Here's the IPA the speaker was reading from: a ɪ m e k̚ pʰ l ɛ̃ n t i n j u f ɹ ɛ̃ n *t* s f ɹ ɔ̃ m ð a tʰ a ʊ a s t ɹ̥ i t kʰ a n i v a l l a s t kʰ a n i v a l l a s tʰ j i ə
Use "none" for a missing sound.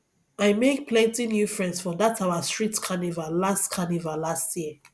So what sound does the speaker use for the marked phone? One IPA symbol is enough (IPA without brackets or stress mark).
d